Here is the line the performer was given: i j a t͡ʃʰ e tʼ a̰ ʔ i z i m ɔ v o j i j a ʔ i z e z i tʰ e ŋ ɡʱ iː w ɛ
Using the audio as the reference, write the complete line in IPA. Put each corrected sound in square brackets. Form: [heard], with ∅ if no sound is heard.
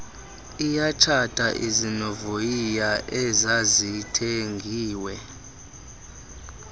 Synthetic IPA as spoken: i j a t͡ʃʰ [a] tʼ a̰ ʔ i z i [n] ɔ v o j i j a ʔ [ɛ] z [a] z i tʰ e ŋ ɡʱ iː w ɛ